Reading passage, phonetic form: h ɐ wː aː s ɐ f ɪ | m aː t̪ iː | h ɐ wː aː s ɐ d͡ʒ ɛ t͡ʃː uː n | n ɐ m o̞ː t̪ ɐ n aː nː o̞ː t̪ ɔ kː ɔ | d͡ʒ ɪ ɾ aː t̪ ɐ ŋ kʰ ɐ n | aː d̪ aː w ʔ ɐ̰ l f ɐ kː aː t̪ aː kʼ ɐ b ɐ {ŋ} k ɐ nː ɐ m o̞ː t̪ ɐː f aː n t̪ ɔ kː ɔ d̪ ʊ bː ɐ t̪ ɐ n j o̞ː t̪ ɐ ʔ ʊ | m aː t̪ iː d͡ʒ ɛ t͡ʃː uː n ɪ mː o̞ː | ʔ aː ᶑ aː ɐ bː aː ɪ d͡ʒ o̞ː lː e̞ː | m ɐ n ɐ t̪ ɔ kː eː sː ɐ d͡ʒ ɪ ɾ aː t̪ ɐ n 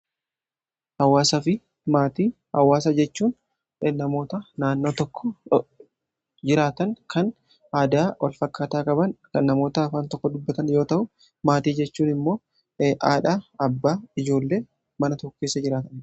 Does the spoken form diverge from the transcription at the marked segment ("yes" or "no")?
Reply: yes